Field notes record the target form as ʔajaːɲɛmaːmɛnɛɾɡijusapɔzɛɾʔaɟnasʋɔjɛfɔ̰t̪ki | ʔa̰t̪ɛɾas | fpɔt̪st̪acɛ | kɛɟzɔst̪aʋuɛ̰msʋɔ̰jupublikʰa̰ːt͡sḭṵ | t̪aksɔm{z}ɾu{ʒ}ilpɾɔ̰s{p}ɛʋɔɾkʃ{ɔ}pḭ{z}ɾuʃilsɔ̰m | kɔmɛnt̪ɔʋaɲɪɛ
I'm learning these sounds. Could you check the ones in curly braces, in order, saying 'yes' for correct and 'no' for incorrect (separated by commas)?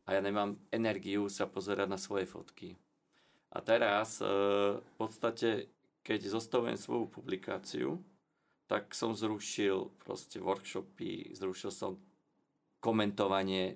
yes, no, no, yes, yes